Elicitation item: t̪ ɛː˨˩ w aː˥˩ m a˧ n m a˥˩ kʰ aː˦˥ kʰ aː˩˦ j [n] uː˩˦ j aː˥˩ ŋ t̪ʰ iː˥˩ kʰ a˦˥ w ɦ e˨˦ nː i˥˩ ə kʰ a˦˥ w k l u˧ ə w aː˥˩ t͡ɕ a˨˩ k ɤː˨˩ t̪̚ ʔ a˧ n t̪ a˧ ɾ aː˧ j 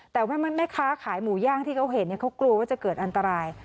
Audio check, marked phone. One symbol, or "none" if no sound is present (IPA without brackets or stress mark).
m